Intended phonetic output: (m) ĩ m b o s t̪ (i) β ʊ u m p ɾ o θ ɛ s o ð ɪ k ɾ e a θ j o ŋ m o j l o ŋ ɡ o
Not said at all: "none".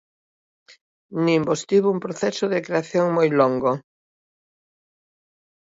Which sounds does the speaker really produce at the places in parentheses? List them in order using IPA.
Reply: n, i

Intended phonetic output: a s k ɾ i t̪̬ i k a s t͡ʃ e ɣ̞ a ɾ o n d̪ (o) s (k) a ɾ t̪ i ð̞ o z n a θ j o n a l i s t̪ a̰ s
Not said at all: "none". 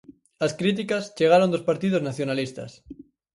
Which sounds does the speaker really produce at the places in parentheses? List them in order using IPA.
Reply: o, p

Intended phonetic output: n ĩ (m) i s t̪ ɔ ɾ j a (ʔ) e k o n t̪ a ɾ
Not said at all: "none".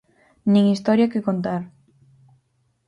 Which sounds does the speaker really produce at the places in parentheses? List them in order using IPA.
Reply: ŋ, k

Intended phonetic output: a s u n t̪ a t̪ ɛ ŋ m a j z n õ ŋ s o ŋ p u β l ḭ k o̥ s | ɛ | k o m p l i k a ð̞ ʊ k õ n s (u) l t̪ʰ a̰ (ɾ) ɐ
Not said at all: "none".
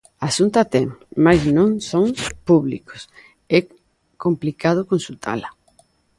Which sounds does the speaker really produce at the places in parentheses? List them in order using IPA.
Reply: u, l

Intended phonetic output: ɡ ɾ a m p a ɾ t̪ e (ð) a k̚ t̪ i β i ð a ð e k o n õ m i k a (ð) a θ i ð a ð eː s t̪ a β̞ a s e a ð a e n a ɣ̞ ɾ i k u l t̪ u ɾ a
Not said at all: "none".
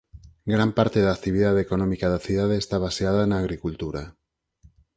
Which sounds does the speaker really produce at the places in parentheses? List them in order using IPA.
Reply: ð, ð

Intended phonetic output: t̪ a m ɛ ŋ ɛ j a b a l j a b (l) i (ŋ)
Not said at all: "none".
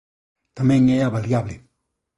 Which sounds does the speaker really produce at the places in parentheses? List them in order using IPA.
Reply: l, none

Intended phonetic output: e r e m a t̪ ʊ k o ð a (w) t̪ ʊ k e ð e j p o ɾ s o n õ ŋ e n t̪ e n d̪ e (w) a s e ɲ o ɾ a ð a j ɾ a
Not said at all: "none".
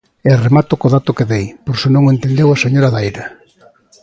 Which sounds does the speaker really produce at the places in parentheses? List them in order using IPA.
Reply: none, w

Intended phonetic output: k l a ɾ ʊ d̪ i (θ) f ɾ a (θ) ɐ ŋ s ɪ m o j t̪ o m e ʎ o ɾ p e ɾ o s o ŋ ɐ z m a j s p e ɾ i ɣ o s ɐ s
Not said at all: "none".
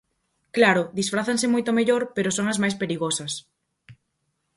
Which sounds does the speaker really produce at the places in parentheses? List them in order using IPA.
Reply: s, θ

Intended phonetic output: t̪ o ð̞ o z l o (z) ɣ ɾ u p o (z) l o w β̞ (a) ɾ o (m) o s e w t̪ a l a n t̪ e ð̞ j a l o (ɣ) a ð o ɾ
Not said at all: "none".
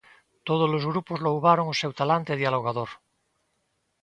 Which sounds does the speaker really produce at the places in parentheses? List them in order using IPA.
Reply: z, z, a, ŋ, ɣ

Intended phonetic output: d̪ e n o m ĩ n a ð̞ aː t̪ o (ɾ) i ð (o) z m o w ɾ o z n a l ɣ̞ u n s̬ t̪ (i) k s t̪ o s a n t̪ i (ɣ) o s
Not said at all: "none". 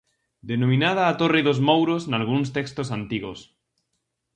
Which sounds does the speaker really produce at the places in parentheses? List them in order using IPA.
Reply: r, o, e, ɣ

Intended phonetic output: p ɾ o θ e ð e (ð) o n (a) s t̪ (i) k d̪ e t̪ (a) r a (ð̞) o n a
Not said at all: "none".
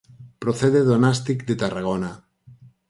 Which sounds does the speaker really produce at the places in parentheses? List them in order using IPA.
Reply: ð, a, i, a, ɣ̞

